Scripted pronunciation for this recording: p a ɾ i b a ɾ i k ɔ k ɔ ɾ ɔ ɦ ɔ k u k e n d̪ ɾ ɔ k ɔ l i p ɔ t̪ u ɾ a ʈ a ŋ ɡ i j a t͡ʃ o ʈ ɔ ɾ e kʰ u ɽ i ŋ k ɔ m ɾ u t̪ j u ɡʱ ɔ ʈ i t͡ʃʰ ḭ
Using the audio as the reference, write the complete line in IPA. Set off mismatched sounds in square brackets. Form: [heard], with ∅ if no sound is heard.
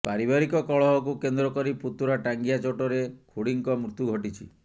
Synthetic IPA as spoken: p a ɾ i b a ɾ i k ɔ k ɔ [ɭ] ɔ ɦ ɔ k u k e n d̪ ɾ ɔ k ɔ [ɾ] i p [u] t̪ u ɾ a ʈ a ŋ ɡ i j a t͡ʃ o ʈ ɔ ɾ e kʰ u ɽ i ŋ k ɔ m ɾ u t̪ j u ɡʱ ɔ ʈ i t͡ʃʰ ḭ